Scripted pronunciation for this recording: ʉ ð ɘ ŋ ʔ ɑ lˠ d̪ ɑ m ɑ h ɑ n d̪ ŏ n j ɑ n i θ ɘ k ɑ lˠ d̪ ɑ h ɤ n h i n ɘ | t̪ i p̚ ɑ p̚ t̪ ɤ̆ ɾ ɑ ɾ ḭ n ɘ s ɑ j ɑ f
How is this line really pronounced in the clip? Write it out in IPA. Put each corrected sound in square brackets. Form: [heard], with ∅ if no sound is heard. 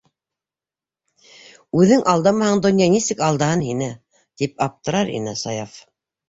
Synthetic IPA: ʉ ð ɘ ŋ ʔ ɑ lˠ d̪ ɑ m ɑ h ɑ [ɴ] d̪ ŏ n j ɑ n i [s] ɘ k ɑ lˠ d̪ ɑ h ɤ n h i n ɘ | t̪ i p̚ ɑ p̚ t̪ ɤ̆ ɾ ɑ ɾ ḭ n ɘ s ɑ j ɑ f